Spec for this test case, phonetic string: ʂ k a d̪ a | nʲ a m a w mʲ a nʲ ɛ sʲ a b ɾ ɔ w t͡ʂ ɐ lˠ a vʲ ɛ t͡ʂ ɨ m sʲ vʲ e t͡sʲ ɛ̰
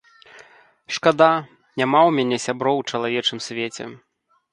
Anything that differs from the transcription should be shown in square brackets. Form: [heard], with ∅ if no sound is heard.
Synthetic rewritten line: ʂ k a d̪ a | nʲ a m a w mʲ a nʲ ɛ sʲ a b ɾ ɔ w t͡ʂ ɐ lˠ a vʲ ɛ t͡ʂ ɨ m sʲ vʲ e t͡sʲ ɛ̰